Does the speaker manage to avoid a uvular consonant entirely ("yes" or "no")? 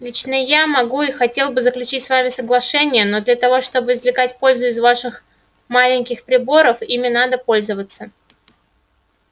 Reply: yes